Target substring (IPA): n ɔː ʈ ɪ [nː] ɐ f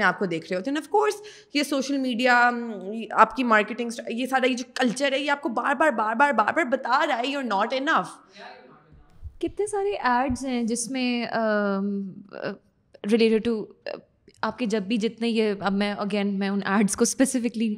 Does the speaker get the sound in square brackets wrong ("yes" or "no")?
yes